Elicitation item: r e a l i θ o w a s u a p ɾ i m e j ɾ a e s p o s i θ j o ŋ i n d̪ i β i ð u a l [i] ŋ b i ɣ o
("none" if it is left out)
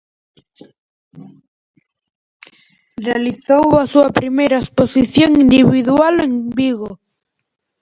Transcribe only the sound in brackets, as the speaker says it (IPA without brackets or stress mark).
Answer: e